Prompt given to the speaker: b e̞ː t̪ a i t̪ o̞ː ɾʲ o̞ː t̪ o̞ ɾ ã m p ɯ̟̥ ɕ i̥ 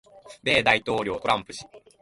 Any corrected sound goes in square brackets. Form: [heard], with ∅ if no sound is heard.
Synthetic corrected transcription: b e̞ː [d̪] a i t̪ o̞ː ɾʲ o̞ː t̪ o̞ ɾ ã m p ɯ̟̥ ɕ i̥